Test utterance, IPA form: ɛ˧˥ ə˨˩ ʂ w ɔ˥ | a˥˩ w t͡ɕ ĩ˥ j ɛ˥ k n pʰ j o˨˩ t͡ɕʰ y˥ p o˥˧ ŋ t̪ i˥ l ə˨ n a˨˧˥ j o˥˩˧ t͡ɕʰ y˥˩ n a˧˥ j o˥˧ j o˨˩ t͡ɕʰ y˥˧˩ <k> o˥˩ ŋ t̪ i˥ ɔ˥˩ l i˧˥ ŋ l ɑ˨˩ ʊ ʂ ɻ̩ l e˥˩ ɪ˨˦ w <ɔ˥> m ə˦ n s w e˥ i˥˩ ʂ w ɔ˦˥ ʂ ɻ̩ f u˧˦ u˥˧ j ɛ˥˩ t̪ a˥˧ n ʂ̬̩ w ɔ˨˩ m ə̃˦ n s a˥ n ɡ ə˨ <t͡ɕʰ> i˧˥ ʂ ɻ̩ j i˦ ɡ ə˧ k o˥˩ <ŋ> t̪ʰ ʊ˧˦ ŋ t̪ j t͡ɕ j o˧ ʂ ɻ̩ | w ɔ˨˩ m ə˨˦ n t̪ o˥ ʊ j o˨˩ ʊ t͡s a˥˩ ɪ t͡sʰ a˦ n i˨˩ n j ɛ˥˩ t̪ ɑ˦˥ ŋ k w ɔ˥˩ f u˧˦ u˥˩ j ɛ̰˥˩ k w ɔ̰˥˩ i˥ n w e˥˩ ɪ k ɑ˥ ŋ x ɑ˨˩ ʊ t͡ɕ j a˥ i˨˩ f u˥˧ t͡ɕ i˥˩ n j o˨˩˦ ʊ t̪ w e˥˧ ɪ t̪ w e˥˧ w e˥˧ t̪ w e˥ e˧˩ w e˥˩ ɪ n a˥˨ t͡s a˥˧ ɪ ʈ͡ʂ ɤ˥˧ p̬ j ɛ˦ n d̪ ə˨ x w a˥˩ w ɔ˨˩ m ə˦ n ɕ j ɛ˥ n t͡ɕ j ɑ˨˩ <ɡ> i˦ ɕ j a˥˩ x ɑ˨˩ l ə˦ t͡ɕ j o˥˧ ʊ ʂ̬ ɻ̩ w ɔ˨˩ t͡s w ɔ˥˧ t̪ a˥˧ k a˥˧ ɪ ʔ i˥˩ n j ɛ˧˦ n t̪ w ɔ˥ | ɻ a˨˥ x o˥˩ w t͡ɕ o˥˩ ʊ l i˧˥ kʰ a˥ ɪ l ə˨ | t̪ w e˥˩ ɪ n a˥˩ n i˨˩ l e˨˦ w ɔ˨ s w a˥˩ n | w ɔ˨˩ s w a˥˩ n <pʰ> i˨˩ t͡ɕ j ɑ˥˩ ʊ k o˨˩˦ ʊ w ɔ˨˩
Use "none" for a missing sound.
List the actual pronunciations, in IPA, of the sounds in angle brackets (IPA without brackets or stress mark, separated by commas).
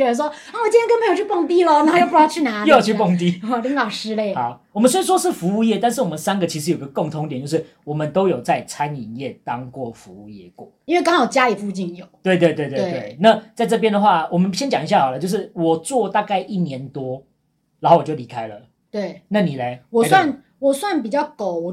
p, ɔ˨, t͡ɕʰ, ŋ, ŋ, p